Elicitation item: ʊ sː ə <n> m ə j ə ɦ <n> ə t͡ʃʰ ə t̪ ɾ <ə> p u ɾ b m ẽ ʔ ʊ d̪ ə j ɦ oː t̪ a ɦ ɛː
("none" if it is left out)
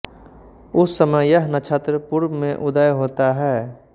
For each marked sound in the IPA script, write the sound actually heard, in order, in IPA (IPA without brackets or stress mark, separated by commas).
none, n, ə